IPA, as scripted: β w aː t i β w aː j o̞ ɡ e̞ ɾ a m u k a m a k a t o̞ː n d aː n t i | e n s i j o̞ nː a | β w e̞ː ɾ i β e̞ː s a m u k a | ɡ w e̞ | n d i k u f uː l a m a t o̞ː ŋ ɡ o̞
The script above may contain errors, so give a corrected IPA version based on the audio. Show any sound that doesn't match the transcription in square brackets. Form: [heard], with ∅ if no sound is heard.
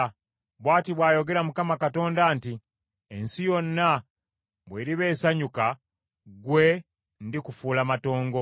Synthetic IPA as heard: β w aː t i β w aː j o̞ ɡ e̞ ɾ a m u k a m a k a t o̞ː n d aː n t i | e n s i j o̞ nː a | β w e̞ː ɾ i β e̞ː s a [ɲ] u k a | ɡ w e̞ | n d i k u f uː l a m a t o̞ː ŋ ɡ o̞